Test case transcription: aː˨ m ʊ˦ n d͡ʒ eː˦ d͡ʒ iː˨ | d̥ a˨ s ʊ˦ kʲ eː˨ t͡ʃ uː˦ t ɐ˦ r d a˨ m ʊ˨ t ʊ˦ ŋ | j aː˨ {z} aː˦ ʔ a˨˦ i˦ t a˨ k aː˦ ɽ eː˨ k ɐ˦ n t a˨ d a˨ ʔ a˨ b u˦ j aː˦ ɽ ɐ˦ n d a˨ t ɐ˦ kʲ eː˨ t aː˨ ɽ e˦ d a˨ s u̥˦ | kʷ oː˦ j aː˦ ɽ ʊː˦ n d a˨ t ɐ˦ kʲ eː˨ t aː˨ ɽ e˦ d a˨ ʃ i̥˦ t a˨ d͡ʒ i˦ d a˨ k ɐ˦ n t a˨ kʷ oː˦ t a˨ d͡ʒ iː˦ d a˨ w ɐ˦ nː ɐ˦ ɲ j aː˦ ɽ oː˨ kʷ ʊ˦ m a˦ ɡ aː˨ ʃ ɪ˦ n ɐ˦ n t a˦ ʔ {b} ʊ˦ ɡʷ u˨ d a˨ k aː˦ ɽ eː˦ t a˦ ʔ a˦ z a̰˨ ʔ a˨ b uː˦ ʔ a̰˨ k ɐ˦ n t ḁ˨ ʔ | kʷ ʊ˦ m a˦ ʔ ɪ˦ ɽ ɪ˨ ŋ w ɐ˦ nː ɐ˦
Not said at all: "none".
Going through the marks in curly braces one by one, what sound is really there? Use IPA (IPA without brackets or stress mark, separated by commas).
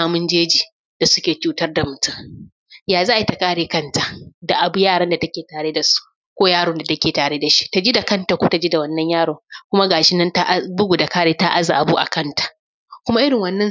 z, b